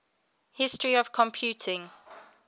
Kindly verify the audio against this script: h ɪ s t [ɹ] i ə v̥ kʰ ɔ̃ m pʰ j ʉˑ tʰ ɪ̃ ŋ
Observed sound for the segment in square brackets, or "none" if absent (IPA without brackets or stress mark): ɹ